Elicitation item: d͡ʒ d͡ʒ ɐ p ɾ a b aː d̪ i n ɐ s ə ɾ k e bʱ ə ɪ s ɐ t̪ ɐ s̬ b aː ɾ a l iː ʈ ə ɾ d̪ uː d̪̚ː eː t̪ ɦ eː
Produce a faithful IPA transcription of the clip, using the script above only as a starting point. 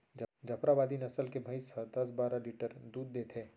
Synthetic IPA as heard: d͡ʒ d͡ʒ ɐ p ɾ a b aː d̪ i n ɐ s ə l k e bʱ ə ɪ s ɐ d̪ ɐ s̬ b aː ɾ a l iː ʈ ə ɾ d̪ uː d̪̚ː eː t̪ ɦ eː